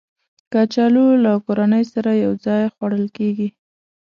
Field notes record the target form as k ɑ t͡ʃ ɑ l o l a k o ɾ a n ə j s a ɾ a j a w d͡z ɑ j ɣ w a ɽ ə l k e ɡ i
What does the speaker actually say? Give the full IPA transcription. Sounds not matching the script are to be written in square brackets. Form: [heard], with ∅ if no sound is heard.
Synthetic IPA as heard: k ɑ t͡ʃ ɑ l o l a k o ɾ a n ə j s a ɾ a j a w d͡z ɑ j [x] w a ɽ ə l k e ɡ i